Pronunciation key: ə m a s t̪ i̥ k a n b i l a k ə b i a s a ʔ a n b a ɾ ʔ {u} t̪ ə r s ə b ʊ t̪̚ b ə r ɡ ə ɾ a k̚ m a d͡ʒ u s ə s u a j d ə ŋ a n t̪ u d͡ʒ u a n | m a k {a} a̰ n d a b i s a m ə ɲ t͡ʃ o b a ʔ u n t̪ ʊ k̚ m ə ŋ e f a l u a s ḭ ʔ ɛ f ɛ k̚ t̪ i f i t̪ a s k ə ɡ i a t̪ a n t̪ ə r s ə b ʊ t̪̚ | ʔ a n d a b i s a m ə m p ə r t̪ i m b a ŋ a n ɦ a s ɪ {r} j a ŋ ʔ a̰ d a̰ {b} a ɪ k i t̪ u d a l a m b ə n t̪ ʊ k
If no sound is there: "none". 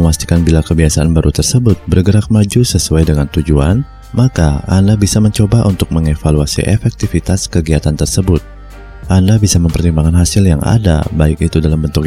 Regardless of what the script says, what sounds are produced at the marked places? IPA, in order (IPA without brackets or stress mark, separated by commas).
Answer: u, a, l, b